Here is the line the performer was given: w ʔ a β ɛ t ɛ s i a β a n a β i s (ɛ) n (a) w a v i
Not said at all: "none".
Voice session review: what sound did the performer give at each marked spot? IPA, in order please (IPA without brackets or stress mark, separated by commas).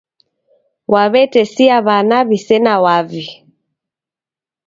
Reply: ɛ, a